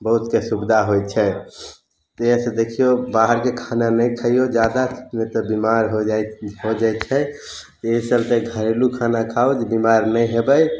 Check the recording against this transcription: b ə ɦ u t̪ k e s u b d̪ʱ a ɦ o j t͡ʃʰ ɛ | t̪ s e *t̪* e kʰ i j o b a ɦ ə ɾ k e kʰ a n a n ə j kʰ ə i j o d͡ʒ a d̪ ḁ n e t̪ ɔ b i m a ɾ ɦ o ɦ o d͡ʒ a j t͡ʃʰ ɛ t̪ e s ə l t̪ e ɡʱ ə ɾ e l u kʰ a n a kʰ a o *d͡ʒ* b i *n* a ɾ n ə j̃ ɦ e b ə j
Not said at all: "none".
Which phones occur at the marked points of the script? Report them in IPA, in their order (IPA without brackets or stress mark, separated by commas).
d̪, d͡ʒ, m